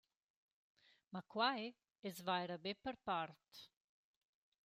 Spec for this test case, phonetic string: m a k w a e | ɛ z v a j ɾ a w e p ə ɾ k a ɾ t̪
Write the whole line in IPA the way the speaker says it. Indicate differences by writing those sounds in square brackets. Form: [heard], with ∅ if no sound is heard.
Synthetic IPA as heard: m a k w a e | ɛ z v a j ɾ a [b] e p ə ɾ [p] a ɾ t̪